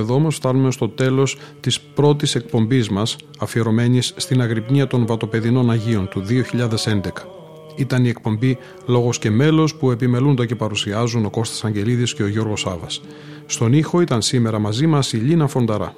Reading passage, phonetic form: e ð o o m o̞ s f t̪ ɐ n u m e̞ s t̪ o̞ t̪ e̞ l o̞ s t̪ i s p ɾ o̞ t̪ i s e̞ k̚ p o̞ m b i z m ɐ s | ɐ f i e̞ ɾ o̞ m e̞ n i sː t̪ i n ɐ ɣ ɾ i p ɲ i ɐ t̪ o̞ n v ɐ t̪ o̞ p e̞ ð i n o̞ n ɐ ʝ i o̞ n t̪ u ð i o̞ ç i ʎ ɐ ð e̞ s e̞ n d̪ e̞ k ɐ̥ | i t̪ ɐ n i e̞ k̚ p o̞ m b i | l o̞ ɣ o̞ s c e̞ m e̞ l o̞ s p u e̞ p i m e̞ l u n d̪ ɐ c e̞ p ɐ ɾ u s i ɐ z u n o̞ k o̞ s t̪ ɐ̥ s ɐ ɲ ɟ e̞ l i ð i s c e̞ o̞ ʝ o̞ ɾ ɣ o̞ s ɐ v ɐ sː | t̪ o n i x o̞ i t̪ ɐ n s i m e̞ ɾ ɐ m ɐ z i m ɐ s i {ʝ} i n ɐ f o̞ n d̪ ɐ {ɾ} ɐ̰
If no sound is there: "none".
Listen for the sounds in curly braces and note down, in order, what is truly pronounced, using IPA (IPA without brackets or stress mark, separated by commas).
ʎ, ɾ